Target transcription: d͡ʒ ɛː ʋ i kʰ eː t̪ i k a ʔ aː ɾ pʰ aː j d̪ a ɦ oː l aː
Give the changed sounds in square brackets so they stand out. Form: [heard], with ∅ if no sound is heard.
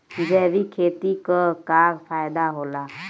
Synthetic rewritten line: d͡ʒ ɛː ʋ i kʰ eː t̪ i k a [k] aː ɾ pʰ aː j d̪ a ɦ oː l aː